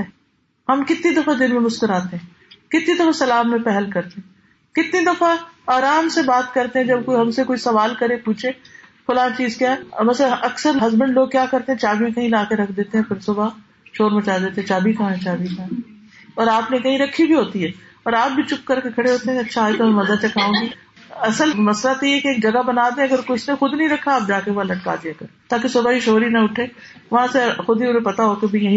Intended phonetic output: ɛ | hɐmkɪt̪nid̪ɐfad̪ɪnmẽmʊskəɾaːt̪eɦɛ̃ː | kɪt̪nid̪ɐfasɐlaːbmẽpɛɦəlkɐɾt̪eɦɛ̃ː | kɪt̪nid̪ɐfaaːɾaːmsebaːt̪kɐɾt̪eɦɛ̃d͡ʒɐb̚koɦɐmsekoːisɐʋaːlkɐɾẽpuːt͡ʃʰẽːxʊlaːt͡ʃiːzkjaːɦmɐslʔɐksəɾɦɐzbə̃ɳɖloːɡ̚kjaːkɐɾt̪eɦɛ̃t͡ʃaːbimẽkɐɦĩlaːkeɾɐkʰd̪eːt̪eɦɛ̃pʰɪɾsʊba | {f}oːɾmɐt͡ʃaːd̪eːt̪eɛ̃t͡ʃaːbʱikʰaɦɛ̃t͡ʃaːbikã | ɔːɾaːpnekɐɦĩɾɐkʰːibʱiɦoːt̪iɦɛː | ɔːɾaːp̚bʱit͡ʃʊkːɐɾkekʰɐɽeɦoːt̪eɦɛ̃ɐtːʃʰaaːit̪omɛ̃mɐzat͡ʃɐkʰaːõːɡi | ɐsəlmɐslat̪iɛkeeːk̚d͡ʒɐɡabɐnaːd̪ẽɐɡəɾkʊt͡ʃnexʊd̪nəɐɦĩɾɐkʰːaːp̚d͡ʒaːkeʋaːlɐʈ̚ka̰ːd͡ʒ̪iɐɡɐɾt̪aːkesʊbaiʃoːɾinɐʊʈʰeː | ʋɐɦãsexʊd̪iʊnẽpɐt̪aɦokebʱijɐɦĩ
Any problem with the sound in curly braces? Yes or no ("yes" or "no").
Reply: yes